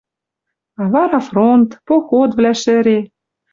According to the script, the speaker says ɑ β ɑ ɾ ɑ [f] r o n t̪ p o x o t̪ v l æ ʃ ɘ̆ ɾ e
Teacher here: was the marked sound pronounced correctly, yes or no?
yes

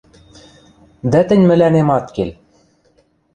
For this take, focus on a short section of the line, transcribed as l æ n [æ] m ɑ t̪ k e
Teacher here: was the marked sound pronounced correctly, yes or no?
no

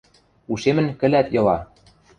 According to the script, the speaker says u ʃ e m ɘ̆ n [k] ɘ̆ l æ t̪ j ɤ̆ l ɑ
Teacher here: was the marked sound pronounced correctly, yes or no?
yes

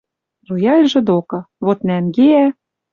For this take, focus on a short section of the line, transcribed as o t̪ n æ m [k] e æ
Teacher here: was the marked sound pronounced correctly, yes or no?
no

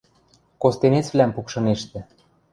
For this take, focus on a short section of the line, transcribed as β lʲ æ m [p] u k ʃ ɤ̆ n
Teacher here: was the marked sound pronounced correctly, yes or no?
yes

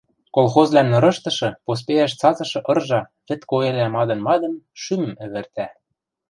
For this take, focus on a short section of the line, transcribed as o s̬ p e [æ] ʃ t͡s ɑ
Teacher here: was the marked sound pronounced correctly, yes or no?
yes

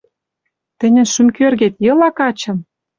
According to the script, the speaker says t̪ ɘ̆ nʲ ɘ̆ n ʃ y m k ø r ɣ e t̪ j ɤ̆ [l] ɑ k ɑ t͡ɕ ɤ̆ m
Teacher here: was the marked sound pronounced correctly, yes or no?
yes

